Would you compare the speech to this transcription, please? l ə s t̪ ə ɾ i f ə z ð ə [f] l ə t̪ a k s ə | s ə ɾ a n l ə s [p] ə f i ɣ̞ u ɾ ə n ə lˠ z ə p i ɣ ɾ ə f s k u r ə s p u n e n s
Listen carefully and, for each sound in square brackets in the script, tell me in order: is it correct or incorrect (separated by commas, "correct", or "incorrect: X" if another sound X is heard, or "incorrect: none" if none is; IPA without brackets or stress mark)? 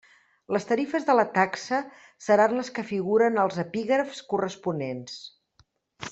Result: incorrect: none, incorrect: k